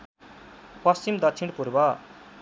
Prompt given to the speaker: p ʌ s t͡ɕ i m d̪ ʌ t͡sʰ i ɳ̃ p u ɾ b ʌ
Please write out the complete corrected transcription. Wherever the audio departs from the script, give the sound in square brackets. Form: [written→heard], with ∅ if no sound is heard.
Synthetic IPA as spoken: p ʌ s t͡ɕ i m d̪ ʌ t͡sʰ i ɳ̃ p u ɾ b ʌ